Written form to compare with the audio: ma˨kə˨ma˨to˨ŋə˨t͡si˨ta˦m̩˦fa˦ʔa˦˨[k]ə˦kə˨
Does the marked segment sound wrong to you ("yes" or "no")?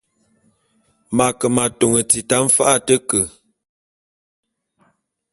yes